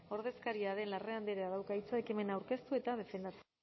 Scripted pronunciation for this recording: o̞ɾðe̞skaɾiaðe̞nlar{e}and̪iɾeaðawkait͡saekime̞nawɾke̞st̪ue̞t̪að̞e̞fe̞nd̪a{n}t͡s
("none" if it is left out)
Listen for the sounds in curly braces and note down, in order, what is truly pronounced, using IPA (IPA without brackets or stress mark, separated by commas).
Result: e, none